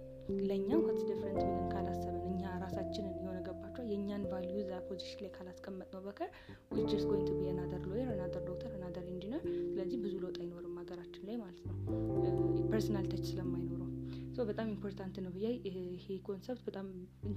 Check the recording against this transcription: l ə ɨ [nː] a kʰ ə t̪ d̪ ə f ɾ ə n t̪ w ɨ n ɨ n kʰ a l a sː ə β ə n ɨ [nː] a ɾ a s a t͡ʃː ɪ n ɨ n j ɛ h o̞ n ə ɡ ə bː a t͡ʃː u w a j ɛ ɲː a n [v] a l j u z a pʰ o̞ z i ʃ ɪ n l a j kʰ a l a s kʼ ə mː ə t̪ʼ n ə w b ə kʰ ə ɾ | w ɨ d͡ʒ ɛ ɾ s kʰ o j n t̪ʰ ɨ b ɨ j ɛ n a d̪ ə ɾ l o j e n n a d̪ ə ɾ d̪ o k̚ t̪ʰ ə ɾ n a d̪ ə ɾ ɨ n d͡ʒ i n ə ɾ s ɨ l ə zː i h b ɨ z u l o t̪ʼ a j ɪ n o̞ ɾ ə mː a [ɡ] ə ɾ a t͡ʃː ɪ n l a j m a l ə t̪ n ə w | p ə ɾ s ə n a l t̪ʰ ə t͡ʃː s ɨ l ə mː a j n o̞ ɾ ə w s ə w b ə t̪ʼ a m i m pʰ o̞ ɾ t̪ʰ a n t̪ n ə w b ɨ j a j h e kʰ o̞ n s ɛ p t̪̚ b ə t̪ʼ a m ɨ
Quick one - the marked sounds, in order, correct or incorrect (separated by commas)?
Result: incorrect, incorrect, correct, correct